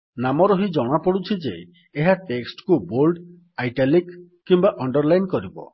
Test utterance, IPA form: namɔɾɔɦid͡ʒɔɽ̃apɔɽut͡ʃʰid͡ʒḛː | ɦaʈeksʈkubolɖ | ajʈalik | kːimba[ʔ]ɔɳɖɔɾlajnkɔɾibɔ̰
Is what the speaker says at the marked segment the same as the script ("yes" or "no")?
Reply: yes